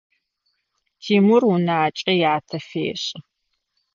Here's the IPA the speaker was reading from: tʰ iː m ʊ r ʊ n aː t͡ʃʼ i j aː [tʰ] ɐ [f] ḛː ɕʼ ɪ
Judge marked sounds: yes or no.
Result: yes, yes

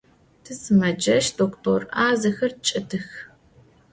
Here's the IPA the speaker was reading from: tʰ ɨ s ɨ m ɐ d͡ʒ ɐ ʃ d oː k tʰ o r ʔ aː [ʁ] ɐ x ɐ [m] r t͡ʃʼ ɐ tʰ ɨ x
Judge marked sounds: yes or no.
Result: no, no

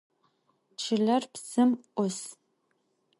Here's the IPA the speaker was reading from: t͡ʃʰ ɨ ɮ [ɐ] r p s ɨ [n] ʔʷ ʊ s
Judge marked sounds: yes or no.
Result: yes, no

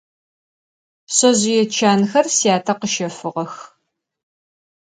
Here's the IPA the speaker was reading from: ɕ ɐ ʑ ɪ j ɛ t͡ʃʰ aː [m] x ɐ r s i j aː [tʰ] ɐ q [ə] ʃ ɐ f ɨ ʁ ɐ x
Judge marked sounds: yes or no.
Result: no, yes, yes

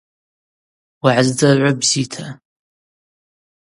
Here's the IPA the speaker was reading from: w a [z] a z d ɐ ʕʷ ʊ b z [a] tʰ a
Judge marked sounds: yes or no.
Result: no, no

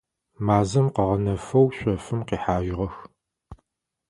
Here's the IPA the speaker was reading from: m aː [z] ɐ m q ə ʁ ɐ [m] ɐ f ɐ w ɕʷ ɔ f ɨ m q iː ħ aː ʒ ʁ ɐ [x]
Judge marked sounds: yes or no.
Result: yes, no, yes

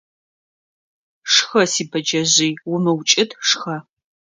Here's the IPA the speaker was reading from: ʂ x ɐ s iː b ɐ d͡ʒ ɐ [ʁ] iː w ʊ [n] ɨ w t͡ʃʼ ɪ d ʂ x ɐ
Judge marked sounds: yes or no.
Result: no, no

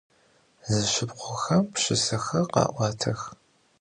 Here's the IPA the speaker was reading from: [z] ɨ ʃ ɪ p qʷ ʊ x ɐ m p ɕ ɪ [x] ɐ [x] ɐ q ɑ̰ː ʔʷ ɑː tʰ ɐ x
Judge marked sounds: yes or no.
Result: yes, no, yes

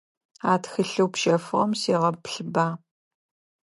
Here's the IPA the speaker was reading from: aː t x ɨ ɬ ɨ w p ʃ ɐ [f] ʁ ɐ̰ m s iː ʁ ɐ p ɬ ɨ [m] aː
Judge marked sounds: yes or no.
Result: yes, no

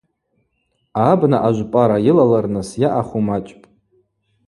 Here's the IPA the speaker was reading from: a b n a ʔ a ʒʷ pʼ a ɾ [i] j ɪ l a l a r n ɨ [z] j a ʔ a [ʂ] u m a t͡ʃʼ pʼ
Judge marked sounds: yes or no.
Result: no, no, no

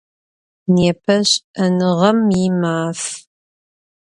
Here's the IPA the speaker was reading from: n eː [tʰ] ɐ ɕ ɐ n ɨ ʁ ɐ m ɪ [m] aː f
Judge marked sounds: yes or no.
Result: no, yes

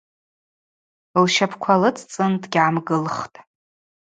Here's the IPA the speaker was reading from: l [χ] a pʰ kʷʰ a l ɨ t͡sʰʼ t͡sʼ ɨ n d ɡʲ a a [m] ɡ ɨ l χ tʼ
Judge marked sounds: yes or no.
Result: no, yes

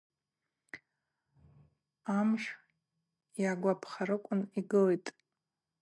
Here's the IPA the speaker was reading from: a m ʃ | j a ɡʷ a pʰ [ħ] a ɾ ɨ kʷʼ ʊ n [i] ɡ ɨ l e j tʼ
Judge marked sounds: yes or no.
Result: no, yes

